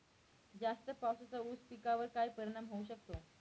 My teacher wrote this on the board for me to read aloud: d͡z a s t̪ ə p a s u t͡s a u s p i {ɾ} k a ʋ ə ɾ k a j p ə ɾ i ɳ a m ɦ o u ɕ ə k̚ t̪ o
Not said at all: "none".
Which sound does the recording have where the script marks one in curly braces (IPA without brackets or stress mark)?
none